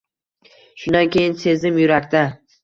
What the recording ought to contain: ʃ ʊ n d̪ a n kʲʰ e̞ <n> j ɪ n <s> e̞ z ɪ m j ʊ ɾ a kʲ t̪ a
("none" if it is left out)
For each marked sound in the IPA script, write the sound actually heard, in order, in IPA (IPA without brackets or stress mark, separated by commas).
none, s